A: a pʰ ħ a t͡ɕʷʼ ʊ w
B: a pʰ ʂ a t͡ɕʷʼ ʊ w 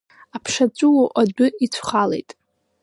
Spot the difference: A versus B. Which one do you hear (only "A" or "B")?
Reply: B